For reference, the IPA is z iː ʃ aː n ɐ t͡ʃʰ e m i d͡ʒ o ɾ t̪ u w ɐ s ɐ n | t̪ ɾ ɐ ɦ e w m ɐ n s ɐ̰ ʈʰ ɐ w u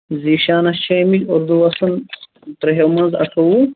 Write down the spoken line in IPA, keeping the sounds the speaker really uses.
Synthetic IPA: z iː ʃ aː n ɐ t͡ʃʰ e m i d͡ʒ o ɾ d̪ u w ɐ s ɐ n | t̪ ɾ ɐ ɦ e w m ɐ n z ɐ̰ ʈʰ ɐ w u